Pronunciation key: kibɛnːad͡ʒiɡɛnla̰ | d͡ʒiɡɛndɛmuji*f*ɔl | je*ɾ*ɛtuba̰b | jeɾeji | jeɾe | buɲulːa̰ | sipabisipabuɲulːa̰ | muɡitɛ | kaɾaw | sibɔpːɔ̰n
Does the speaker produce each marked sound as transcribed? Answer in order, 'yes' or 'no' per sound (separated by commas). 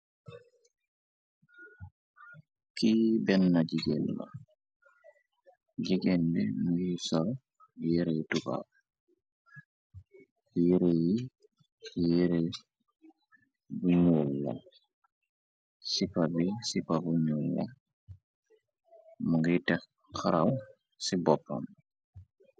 no, yes